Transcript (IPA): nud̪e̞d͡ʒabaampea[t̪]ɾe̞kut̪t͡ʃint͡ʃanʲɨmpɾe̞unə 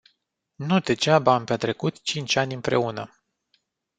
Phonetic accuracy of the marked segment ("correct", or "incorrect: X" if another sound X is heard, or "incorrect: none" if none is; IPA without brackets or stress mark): correct